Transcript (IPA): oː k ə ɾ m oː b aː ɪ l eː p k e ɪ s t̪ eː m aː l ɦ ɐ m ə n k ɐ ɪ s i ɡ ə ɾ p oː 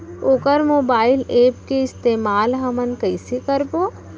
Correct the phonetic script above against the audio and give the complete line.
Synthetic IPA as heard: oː k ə ɾ m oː b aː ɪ l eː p k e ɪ s t̪ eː m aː l ɦ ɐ m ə n k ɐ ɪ s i k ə ɾ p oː